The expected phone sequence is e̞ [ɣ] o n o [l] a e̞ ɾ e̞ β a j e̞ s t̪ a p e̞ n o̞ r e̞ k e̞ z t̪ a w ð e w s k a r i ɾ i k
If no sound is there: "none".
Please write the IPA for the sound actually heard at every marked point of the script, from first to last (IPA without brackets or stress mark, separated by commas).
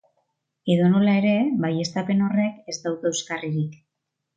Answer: ð, l